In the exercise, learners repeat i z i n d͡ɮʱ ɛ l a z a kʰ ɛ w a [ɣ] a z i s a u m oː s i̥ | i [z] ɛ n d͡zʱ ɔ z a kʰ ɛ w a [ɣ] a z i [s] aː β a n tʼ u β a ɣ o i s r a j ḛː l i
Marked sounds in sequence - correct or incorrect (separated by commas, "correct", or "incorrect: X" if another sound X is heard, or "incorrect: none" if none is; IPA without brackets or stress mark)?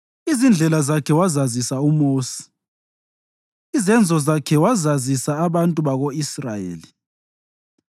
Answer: incorrect: z, correct, incorrect: z, correct